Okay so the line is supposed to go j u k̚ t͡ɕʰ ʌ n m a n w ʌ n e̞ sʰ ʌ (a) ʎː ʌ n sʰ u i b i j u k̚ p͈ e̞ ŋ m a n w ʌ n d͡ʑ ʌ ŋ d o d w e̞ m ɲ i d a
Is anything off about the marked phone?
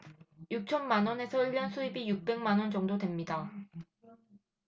yes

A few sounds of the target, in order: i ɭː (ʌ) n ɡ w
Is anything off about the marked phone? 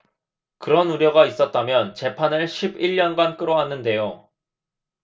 no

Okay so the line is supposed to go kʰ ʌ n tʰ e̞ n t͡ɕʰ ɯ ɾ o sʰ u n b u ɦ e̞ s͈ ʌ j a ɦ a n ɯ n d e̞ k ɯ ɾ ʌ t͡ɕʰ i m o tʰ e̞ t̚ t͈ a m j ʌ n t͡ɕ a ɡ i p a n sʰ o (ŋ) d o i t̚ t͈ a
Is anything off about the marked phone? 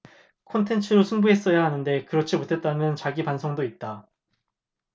no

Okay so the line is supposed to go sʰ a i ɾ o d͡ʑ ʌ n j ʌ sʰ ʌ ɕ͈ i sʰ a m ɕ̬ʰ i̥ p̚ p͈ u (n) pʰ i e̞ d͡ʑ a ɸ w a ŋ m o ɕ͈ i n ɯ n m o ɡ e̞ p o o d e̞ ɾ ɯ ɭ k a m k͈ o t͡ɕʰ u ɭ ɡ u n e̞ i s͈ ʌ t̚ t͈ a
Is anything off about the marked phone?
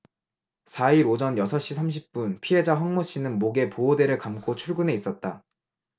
no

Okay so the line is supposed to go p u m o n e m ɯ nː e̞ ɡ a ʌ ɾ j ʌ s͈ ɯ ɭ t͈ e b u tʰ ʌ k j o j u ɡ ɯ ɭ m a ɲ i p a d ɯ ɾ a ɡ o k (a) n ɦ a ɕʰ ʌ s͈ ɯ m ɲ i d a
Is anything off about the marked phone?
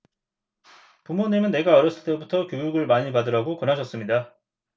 yes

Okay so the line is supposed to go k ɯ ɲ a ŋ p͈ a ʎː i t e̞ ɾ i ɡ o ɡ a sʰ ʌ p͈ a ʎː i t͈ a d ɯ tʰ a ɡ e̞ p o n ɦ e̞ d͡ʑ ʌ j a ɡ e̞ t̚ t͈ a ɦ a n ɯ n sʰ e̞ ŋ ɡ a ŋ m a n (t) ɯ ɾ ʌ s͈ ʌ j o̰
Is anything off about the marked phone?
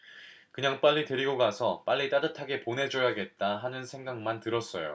no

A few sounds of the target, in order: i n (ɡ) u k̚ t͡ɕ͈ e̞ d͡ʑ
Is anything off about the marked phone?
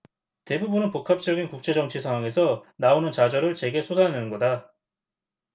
yes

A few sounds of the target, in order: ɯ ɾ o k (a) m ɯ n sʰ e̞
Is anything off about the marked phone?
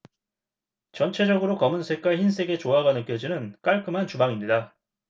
yes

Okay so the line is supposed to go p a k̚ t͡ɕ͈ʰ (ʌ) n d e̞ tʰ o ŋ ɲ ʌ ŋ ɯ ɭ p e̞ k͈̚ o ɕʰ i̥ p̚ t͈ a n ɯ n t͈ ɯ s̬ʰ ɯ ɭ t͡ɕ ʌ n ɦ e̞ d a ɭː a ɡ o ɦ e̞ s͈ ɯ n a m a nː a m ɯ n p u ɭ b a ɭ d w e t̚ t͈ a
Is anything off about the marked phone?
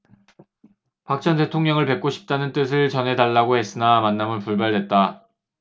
no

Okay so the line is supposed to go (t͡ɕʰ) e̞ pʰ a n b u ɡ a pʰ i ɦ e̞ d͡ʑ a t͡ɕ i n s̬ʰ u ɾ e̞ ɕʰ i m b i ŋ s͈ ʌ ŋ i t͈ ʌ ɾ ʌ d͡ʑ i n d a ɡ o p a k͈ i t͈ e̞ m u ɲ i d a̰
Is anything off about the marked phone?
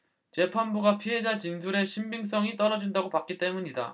yes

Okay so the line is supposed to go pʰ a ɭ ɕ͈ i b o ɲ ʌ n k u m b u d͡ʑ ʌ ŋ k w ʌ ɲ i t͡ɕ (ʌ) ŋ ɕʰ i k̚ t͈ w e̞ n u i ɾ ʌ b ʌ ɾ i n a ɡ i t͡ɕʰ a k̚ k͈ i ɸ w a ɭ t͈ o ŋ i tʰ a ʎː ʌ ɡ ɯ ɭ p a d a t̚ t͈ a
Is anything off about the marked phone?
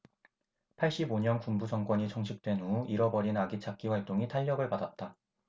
no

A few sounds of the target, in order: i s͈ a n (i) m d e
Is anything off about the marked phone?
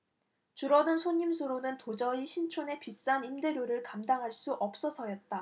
no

